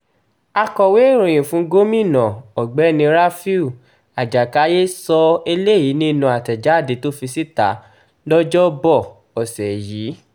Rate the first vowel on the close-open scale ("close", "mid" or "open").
open